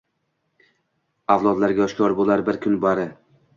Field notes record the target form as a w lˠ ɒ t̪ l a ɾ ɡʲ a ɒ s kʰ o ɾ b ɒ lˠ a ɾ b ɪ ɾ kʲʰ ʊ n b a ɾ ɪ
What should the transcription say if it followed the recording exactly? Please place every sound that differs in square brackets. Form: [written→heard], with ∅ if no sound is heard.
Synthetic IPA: a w lˠ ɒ [t̪→d̪] l a ɾ ɡʲ a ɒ [s→ʃ] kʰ [o→ɒ] ɾ b [ɒ→o] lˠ a ɾ b ɪ ɾ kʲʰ ʊ n b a ɾ ɪ